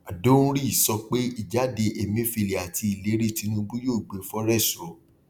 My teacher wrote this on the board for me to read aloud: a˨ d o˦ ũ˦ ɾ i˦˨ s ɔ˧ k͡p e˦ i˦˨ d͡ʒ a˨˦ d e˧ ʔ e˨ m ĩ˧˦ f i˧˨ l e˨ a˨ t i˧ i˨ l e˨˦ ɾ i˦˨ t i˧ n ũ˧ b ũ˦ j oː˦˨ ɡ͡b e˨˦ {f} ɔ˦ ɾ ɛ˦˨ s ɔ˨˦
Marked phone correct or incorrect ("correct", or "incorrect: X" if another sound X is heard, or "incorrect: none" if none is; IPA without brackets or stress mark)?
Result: correct